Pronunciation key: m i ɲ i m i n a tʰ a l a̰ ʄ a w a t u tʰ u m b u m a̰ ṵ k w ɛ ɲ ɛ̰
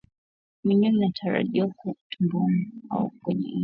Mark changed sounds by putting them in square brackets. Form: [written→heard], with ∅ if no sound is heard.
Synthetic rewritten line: m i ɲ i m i n a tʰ a [l→ɾ] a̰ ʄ [a→i] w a [t→k] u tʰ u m b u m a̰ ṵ k w ɛ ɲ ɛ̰